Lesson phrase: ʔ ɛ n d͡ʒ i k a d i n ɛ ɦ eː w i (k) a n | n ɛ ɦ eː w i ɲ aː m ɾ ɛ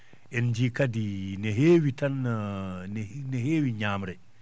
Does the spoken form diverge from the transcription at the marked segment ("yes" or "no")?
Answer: yes